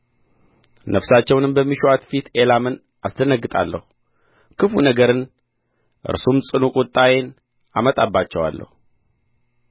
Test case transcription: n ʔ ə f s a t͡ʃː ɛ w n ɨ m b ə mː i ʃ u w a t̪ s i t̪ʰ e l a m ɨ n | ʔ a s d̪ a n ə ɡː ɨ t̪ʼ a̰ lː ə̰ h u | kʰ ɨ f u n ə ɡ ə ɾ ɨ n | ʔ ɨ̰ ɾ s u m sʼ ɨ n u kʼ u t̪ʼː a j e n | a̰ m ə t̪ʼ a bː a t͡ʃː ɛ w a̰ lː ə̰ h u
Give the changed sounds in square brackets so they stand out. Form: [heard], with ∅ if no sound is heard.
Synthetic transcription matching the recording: n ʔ ə f s a t͡ʃː ɛ w n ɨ m b ə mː i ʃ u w a t̪ [f] i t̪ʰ e l a m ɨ n | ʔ a s d̪ [ə] n ə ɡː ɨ t̪ʼ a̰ lː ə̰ h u | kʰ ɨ f u n ə ɡ ə ɾ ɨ n | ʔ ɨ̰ ɾ s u m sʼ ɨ n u kʼ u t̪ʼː a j e n | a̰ m ə t̪ʼ a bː a t͡ʃː ɛ w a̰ lː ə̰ h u